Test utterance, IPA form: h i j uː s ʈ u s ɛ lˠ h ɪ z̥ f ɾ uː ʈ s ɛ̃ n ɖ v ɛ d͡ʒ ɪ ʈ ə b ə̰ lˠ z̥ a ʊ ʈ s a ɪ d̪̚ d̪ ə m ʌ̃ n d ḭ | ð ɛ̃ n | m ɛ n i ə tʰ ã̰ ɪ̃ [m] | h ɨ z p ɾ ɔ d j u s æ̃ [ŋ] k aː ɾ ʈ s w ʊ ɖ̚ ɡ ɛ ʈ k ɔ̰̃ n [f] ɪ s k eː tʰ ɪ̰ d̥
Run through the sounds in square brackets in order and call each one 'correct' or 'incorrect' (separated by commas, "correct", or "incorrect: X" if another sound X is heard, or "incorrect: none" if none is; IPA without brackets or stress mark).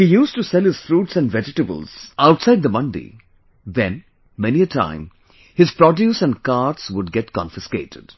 correct, incorrect: n, correct